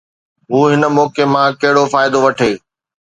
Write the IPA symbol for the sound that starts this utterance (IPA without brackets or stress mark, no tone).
ɦ